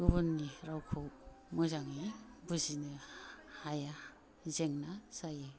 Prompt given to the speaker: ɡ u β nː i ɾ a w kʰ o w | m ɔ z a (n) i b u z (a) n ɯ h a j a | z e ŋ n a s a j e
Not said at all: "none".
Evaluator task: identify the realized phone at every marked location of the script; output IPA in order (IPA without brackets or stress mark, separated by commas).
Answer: ŋ, i